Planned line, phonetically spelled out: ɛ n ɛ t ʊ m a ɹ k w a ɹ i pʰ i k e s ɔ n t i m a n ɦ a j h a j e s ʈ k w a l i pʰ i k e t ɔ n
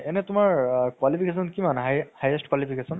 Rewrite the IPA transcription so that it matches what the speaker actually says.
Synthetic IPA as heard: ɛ n ɛ t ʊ m a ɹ k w a l i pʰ i k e s ɔ n k i m a n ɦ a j h a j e s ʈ k w a l i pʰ i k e s ɔ n